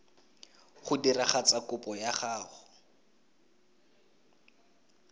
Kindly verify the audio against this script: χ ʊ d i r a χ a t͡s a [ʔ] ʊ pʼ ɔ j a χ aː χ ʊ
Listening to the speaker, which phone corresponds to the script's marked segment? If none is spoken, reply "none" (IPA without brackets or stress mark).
k